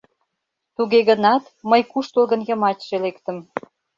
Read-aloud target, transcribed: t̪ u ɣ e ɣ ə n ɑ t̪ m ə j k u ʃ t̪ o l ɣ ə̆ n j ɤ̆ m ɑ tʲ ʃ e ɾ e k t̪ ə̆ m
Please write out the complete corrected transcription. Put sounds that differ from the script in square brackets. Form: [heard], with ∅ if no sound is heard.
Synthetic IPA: t̪ u ɣ e ɣ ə n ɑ t̪ m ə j k u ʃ t̪ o l ɣ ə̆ n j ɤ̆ m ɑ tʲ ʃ e [l] e k t̪ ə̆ m